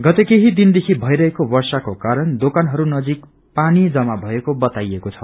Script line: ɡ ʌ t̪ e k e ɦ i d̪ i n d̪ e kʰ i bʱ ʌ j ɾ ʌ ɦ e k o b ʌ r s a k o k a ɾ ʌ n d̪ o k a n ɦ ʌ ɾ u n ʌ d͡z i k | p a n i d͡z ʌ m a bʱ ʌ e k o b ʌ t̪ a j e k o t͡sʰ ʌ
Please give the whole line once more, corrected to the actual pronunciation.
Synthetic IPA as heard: ɡ ʌ t̪ e k e ɦ i d̪ i n d̪ e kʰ i bʱ ʌ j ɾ ʌ ɦ e k o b ʌ r s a k o k a ɾ ʌ n d̪ o k a n ɦ ʌ ɾ u n ʌ d͡z i k | p a n i d͡z ʌ m a bʱ ʌ e k o b ʌ t̪ a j e k o t͡sʰ ʌ